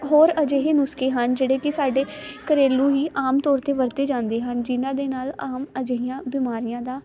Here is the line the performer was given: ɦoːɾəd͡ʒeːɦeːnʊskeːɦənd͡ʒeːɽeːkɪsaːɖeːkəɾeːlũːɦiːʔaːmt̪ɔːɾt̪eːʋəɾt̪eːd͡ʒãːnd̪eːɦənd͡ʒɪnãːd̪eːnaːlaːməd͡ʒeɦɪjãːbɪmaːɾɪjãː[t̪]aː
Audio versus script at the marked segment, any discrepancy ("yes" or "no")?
yes